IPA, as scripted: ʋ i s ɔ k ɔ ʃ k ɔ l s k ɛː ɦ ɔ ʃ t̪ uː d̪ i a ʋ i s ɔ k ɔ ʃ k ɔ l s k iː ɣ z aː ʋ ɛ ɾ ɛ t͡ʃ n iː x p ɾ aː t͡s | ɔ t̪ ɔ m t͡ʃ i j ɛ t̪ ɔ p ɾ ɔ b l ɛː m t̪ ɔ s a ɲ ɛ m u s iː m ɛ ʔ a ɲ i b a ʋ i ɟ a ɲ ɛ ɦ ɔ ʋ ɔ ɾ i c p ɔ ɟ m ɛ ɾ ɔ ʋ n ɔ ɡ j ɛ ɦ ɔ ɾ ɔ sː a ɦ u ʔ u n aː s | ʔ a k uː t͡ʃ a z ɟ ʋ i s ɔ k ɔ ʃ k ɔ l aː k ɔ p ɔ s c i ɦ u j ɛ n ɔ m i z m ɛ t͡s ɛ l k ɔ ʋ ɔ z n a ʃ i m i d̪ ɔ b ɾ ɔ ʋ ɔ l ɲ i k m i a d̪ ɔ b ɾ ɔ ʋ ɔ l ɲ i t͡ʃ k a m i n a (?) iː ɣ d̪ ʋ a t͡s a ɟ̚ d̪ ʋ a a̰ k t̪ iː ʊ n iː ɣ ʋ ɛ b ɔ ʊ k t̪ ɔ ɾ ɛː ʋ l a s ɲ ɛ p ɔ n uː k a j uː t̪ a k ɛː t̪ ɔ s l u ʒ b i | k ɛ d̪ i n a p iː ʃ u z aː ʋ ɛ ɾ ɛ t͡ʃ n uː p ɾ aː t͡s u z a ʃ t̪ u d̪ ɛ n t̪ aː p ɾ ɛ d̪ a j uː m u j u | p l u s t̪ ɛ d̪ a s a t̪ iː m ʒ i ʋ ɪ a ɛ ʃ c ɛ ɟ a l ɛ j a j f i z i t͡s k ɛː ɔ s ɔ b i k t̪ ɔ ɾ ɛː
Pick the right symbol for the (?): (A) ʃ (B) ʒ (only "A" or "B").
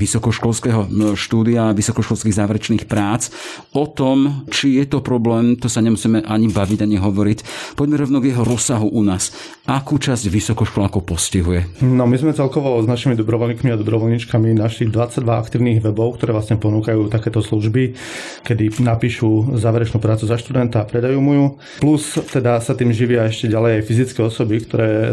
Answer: A